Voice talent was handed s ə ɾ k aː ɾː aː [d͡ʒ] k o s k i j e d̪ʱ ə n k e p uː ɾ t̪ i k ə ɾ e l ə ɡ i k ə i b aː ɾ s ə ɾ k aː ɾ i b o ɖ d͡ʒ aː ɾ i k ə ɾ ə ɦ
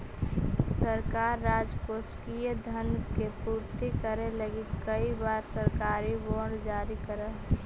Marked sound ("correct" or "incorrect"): correct